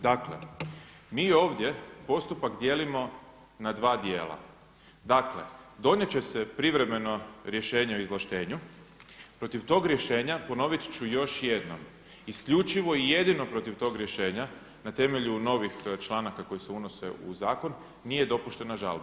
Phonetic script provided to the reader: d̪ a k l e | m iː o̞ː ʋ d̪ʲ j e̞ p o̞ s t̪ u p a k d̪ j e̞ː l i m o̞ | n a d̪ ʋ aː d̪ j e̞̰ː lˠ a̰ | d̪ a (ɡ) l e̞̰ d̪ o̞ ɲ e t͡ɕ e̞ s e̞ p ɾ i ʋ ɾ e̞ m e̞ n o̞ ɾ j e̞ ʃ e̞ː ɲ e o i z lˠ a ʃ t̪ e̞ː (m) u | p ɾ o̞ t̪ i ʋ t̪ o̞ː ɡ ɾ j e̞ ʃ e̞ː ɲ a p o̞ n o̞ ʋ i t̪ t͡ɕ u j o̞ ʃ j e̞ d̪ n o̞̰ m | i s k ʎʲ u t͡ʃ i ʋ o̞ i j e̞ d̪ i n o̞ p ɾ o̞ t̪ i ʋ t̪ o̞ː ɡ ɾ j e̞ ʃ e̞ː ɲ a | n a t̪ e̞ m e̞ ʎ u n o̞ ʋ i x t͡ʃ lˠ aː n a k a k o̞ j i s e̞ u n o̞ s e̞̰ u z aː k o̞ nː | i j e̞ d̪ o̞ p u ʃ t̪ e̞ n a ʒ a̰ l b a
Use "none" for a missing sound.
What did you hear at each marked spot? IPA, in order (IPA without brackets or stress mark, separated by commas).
k, ɲ